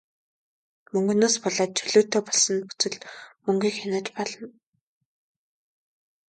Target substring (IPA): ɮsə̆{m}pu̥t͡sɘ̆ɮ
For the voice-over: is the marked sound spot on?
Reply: no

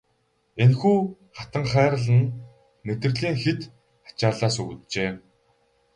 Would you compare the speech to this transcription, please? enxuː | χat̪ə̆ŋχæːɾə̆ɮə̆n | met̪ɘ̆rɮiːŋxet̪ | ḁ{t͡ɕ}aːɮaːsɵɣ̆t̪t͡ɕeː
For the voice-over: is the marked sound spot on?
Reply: yes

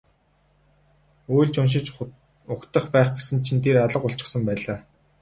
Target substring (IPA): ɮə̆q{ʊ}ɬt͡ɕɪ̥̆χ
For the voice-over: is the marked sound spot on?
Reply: yes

